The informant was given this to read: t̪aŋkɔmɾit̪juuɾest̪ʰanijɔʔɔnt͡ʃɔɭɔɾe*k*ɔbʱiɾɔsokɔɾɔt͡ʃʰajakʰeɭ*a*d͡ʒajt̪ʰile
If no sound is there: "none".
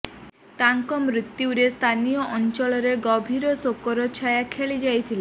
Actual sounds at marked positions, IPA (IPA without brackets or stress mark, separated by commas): ɡ, i